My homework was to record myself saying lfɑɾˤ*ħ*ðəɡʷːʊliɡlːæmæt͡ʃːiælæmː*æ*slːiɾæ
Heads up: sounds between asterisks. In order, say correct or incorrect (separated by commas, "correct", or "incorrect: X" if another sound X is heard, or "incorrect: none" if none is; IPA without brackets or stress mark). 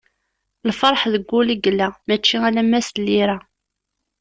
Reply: correct, correct